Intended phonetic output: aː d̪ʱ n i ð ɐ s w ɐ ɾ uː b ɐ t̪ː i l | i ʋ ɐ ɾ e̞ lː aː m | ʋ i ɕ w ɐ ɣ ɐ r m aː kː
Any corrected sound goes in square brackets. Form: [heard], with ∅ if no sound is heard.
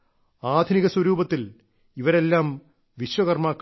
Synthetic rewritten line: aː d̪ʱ n i [ɣ] ɐ s w ɐ ɾ uː b ɐ t̪ː i l | i ʋ ɐ ɾ e̞ lː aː m | ʋ i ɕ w ɐ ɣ ɐ r m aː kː